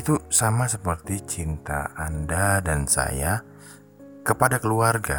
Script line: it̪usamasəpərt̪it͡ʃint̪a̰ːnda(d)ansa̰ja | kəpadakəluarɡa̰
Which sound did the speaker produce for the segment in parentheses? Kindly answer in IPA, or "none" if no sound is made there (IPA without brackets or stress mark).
d